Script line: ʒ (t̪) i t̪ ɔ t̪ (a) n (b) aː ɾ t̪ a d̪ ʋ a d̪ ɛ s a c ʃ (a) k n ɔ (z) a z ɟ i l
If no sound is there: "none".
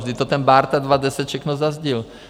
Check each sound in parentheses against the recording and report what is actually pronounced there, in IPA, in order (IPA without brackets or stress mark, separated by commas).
d̪, ɛ, b, ɛ, z